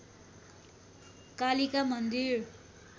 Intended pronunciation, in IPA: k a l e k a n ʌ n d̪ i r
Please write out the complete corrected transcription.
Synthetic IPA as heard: k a l i k a m ʌ n d̪ i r